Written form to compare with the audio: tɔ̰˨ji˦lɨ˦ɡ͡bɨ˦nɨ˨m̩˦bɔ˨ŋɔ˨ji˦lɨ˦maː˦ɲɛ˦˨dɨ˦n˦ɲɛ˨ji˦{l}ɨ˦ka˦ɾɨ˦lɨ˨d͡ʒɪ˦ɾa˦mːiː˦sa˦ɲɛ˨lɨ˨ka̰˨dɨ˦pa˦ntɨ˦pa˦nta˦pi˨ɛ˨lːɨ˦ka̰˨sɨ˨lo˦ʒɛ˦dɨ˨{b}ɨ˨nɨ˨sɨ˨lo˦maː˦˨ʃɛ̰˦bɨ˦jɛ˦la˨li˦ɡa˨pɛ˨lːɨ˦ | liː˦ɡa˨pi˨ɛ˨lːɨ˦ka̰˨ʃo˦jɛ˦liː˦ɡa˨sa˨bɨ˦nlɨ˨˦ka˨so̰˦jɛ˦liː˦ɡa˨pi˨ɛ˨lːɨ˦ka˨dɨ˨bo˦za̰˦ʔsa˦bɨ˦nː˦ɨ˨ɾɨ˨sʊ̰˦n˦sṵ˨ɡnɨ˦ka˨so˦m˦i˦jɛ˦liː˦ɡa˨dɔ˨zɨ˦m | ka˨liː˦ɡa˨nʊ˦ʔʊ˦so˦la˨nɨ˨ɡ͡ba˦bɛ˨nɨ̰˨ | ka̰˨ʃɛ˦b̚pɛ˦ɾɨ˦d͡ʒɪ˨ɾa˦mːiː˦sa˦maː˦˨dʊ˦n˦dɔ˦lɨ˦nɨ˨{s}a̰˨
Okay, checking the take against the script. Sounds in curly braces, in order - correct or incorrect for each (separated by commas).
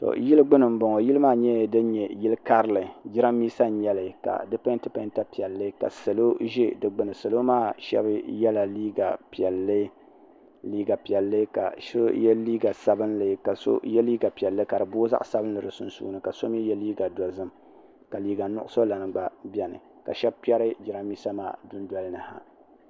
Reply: correct, incorrect, incorrect